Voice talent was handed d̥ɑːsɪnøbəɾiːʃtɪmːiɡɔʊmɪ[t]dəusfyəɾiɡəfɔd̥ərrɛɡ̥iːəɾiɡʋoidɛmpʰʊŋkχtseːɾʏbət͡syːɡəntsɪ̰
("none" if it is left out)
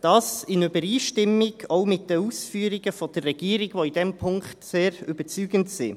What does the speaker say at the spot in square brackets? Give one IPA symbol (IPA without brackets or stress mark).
t